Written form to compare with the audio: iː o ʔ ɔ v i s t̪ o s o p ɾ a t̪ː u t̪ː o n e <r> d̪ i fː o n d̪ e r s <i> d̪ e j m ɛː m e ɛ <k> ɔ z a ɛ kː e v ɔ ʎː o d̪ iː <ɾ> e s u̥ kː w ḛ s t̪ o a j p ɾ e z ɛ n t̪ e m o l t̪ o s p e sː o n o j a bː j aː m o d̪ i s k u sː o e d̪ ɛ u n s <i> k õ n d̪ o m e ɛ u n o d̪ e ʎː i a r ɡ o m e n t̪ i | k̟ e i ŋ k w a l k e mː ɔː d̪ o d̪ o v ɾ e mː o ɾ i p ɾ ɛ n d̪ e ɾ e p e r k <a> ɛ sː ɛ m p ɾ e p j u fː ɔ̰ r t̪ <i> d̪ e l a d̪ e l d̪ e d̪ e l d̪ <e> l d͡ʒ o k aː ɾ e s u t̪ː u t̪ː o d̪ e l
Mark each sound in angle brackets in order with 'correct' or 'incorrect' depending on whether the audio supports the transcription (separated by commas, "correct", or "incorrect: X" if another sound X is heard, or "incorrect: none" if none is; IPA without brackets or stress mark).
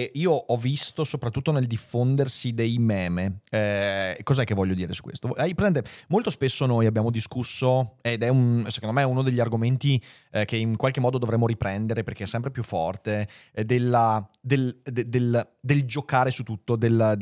incorrect: l, correct, correct, correct, incorrect: e, incorrect: e, incorrect: e, correct